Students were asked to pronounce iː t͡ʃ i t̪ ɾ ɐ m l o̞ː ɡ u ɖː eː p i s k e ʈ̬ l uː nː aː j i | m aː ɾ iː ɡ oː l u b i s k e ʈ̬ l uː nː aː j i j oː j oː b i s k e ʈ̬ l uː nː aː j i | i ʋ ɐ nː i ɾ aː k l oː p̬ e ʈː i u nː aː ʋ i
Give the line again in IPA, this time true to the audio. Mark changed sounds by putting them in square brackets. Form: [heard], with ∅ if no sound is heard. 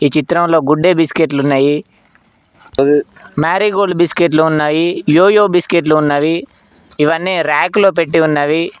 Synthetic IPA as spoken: iː t͡ʃ i t̪ ɾ ɐ m l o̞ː ɡ u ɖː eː [b] i s k e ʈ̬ l [u] nː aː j i | m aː ɾ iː ɡ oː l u b i s k e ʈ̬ l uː nː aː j i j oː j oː b i s k e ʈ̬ l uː nː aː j i | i ʋ ɐ nː i ɾ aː k l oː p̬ e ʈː i u nː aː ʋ i

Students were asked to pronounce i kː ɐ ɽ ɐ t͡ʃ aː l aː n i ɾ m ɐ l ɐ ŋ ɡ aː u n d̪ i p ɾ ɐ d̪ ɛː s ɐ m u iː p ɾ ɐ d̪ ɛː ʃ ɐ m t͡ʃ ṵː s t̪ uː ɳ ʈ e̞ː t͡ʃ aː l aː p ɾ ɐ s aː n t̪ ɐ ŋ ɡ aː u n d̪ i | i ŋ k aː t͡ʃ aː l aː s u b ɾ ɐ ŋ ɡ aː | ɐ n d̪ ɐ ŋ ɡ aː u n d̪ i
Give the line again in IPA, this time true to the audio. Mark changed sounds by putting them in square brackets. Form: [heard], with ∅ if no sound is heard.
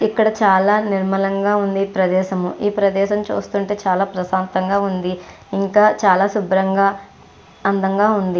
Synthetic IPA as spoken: i kː ɐ ɽ ɐ t͡ʃ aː l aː n i ɾ m ɐ l ɐ ŋ ɡ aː u n d̪ i p ɾ ɐ d̪ ɛː [ʃ] ɐ m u iː p ɾ ɐ d̪ ɛː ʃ ɐ m t͡ʃ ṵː s t̪ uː ɳ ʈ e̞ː t͡ʃ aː l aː p ɾ ɐ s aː n t̪ ɐ ŋ ɡ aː u n d̪ i | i ŋ k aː t͡ʃ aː l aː s u b ɾ ɐ ŋ ɡ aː | ɐ n d̪ ɐ ŋ ɡ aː u n d̪ i

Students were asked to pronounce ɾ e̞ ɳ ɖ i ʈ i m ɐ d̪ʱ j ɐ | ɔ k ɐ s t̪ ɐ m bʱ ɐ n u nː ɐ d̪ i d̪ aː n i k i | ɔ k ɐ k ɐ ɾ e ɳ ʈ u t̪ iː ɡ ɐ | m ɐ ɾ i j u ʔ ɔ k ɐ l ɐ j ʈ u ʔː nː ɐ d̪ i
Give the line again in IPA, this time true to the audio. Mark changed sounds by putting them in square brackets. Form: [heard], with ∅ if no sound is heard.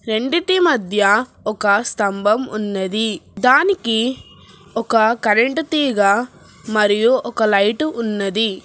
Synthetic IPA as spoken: ɾ e̞ ɳ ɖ i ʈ i m ɐ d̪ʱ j ɐ | ɔ k ɐ s t̪ ɐ m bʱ ɐ [m] u nː ɐ d̪ i d̪ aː n i k i | ɔ k ɐ k ɐ ɾ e ɳ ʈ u t̪ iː ɡ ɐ | m ɐ ɾ i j u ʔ ɔ k ɐ l ɐ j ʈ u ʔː nː ɐ d̪ i

